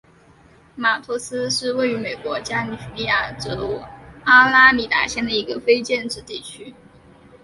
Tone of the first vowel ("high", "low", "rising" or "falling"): low